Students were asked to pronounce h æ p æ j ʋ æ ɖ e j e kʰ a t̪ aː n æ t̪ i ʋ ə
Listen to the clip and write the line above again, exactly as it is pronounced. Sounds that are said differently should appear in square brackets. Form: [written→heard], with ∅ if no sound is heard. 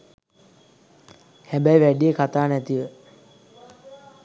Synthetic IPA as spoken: h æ [p→b] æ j ʋ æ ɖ [e→i] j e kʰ a t̪ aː n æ t̪ i ʋ ə